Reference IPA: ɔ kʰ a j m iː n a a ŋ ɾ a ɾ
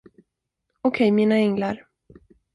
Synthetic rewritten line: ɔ kʰ ɛ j m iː n a ɛ ŋ l a ɾ